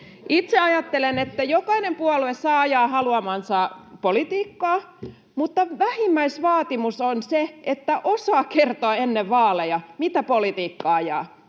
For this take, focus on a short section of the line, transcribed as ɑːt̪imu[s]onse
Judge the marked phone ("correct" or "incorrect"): correct